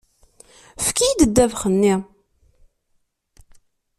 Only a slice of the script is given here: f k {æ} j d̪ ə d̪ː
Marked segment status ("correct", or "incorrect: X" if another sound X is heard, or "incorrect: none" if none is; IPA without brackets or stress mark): incorrect: i